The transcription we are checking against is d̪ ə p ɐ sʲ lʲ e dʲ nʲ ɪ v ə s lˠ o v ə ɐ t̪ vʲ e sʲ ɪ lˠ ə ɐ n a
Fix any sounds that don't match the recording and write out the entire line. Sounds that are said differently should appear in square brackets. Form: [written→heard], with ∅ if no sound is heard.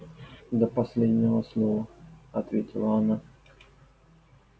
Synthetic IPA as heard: d̪ ə p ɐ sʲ lʲ e dʲ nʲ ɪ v ə s lˠ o v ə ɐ t̪ vʲ e [sʲ→tʲ] ɪ lˠ ə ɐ n a

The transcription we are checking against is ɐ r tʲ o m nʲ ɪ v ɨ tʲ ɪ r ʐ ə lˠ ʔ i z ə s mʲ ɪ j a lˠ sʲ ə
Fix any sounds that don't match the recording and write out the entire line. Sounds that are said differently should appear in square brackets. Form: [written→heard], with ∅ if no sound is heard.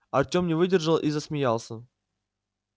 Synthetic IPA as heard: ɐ r tʲ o m nʲ ɪ v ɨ [tʲ→dʲ] ɪ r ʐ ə lˠ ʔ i z ə s mʲ ɪ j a lˠ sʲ ə

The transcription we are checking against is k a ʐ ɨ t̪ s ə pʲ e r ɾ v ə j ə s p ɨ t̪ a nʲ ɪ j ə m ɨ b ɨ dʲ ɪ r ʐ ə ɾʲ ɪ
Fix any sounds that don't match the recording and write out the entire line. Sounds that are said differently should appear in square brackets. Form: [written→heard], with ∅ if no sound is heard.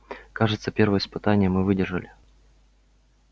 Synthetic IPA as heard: k a ʐ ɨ t̪ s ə pʲ e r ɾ v ə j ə s p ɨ t̪ a nʲ ɪ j ə m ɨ [b→v] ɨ dʲ ɪ r ʐ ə [ɾʲ→lʲ] ɪ

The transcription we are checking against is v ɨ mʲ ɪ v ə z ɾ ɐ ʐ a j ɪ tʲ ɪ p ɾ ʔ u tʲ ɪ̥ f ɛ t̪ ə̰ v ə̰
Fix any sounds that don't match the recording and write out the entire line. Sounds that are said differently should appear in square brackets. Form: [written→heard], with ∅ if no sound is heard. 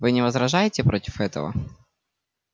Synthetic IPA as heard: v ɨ [mʲ→nʲ] ɪ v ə z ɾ ɐ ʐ a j ɪ tʲ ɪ p ɾ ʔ [u→o] tʲ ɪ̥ f ɛ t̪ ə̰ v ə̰

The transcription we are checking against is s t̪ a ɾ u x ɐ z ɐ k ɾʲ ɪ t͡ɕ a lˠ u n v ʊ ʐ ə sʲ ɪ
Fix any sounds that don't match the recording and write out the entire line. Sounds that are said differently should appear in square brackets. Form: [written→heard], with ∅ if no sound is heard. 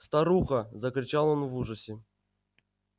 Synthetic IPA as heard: s t̪ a ɾ u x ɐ z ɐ k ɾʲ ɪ t͡ɕ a lˠ [u→o] n v [ʊ→u] ʐ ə sʲ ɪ

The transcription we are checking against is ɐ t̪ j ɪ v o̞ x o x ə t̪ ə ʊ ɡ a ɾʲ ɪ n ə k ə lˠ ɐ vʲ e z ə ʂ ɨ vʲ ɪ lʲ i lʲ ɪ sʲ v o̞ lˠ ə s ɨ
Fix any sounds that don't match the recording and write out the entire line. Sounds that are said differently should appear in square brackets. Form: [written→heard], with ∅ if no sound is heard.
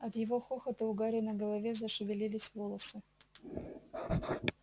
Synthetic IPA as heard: ɐ t̪ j ɪ v o̞ x o x ə t̪ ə ʊ ɡ a ɾʲ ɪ n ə [k→ɡ] ə lˠ ɐ vʲ e z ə ʂ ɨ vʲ ɪ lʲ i lʲ ɪ sʲ v o̞ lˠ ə s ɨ

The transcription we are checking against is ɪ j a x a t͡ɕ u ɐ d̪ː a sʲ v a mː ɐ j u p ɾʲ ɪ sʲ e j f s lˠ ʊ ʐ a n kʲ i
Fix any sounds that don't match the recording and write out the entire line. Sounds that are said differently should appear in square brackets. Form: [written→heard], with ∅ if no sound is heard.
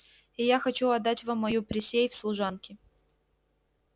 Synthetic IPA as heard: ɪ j a x [a→ɐ] t͡ɕ u ɐ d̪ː a [sʲ→tʲ] v a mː ɐ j u p ɾʲ ɪ sʲ e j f s lˠ ʊ ʐ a n kʲ [i→ɪ]

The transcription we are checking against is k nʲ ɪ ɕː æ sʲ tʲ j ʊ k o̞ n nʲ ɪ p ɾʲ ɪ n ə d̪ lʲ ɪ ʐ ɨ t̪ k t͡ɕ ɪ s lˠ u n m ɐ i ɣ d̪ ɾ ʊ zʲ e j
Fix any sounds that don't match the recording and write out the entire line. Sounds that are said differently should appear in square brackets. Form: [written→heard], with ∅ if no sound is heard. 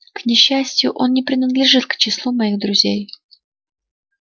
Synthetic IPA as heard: k nʲ ɪ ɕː æ sʲ tʲ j ʊ [k→ʔ] o̞ n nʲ ɪ p ɾʲ ɪ n ə d̪ lʲ ɪ ʐ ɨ t̪ k t͡ɕ ɪ s lˠ u [n→∅] m ɐ i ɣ d̪ ɾ ʊ zʲ e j

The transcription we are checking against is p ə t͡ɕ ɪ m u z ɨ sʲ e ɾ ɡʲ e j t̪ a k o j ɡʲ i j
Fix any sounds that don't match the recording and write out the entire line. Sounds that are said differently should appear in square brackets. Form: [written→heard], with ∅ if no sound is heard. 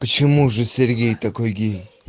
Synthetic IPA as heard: p ə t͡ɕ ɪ m u [z→ʐ] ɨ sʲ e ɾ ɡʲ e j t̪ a k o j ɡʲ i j

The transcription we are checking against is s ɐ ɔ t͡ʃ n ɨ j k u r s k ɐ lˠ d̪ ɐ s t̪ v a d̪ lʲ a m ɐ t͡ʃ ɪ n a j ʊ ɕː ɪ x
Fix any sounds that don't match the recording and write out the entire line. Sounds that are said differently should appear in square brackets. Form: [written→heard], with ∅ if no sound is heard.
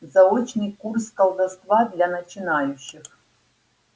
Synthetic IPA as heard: [s→z] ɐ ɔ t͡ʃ n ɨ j k u r s k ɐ lˠ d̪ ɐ s t̪ v a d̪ lʲ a [m→n] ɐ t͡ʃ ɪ n a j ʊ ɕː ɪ x

